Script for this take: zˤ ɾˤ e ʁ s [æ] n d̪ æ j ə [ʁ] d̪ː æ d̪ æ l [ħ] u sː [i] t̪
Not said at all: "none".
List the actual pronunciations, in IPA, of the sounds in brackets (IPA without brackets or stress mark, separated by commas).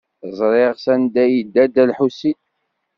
æ, none, ħ, i